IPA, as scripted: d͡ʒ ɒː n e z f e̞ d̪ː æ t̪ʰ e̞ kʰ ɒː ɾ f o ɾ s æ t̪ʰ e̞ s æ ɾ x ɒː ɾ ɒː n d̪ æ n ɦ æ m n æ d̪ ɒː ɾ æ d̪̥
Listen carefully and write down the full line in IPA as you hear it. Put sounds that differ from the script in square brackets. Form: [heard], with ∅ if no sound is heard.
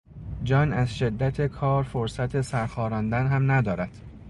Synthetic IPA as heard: d͡ʒ ɒː n [æ] z [ʃ] e̞ d̪ː æ t̪ʰ e̞ kʰ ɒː ɾ f o ɾ s æ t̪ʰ e̞ s æ ɾ x ɒː ɾ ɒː n d̪ æ n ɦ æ m n æ d̪ ɒː ɾ æ d̪̥